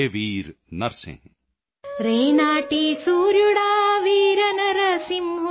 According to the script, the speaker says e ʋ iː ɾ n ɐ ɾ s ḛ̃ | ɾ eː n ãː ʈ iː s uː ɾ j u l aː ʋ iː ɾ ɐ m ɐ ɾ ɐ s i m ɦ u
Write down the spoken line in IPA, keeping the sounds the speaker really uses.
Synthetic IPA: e ʋ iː ɾ n ɐ ɾ s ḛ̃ | ɾ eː n aː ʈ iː s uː ɾ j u ɽ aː ʋ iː ɾ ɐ n ɐ ɾ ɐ s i m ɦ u